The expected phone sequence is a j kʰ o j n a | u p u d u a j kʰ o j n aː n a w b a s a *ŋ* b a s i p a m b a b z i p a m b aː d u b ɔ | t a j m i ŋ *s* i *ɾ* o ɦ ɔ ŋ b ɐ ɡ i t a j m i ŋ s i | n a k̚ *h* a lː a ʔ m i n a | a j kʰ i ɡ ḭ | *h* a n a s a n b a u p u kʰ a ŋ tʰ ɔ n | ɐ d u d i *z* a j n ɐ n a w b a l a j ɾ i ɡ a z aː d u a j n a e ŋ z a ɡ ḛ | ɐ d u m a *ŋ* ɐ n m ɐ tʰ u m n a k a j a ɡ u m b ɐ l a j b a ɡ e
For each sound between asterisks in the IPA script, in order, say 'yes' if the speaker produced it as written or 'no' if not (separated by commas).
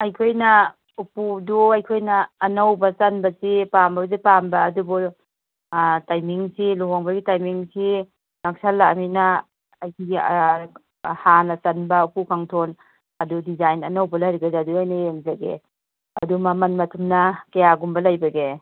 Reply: no, yes, no, no, yes, yes, no